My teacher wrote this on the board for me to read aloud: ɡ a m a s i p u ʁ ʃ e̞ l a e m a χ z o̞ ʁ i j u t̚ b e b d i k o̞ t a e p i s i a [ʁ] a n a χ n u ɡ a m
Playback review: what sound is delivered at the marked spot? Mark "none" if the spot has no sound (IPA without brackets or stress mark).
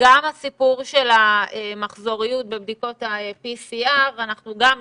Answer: ʁ